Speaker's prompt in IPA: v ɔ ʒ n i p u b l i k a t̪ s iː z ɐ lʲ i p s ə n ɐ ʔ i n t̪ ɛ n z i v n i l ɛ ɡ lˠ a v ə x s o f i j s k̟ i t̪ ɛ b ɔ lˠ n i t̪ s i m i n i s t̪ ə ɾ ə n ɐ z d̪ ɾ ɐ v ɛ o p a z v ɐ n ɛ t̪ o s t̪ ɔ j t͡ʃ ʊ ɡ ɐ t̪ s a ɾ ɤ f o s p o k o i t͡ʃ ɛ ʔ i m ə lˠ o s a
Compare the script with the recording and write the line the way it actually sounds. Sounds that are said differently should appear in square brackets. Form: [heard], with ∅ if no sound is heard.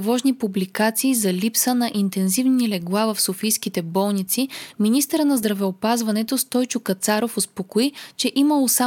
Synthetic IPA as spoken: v ɔ ʒ n i p u b l i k a t̪ s iː z ɐ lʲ i p s ə n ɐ ʔ i n t̪ ɛ n z i v n i l ɛ ɡ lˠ a v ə [f] s o f i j s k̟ i t̪ ɛ b ɔ lˠ n i t̪ s i m i n i s t̪ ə ɾ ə n ɐ z d̪ ɾ ɐ v ɛ o p a z v ɐ n ɛ t̪ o s t̪ ɔ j t͡ʃ ʊ [k] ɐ t̪ s a ɾ [o] f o s p o k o i t͡ʃ ɛ ʔ i m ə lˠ o s a